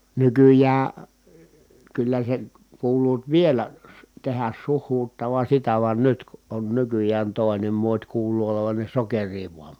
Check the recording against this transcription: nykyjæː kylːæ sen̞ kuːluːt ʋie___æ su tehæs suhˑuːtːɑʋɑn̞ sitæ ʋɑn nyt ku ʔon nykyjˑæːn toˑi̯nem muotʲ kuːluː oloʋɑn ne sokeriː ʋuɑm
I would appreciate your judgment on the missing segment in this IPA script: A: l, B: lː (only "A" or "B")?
A